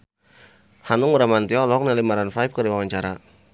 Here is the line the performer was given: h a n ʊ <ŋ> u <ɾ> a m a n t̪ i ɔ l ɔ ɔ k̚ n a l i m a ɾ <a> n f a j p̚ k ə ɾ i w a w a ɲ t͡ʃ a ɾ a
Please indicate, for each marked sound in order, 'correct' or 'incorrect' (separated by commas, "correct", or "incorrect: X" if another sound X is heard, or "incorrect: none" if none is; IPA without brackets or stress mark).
correct, correct, correct